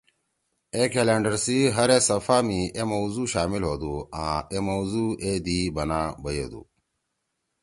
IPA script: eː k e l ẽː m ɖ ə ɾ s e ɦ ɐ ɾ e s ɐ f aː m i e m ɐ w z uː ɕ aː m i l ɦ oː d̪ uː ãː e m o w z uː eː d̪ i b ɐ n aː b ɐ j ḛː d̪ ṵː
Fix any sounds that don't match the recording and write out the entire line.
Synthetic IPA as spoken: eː k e l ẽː ɳ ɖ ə ɾ s i ɦ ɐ ɾ e s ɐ f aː m i e m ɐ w z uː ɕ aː m i l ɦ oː d̪ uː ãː e m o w z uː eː d̪ i b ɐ n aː b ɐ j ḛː d̪ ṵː